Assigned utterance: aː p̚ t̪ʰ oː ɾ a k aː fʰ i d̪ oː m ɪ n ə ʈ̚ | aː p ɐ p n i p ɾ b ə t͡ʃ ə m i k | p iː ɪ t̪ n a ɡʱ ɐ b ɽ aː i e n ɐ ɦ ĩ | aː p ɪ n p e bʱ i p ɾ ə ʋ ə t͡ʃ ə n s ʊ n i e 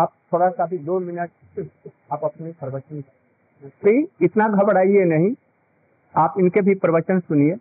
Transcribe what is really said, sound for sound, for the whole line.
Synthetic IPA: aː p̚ t̪ʰ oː ɽ a k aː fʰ i d̪ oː m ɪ n ə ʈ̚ | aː p ɐ p n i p ɾ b ə t͡ʃ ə n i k | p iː ɪ t̪ n a ɡʱ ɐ b ɽ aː i e n ɐ ɦ ĩ | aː p ɪ n k e bʱ i p ɾ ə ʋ ə t͡ʃ ə n s ʊ n i e